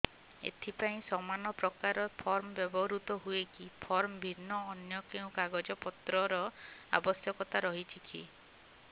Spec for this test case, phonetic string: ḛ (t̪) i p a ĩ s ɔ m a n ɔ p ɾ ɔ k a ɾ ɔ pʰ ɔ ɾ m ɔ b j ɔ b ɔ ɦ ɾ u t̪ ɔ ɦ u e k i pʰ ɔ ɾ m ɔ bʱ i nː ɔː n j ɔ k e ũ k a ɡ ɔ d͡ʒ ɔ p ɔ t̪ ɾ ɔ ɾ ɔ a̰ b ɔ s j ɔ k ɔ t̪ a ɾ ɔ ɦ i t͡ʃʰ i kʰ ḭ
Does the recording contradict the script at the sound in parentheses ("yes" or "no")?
yes